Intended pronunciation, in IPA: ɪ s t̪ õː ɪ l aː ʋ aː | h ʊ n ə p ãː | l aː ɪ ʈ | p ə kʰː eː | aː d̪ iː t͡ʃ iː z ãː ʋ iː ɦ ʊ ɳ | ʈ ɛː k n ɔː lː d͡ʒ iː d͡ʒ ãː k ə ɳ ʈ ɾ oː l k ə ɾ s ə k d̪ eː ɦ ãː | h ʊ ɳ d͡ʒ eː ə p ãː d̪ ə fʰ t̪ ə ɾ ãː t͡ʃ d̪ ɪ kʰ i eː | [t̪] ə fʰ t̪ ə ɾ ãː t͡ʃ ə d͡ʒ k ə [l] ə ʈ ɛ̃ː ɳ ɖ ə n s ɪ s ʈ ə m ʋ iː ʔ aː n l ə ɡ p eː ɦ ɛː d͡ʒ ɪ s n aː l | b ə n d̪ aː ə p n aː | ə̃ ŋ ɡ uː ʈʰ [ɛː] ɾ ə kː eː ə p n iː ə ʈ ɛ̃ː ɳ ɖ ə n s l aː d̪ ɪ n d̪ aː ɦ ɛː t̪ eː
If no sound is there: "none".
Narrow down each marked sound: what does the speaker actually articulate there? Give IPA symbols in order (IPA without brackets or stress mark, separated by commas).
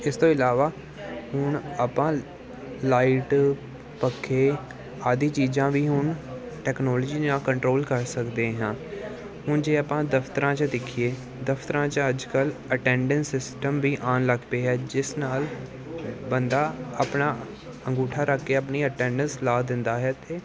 d̪, l, aː